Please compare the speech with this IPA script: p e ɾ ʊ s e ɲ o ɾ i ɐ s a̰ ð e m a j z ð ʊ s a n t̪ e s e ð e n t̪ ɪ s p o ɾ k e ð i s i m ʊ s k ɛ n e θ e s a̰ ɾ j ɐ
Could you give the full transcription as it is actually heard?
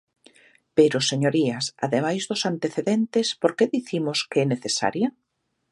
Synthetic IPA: p e ɾ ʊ s e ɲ o ɾ i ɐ s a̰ ð e m a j z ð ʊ s a n t̪ e θ e ð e n t̪ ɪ s p o ɾ k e ð i θ i m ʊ s k ɛ n e θ e s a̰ ɾ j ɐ